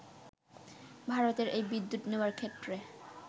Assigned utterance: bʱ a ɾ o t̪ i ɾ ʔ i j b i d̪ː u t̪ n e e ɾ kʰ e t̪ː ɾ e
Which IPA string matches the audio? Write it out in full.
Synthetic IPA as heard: bʱ a ɾ o t̪ e ɾ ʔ e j b i d̪ː u t̪ n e a ɾ kʰ e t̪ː ɾ e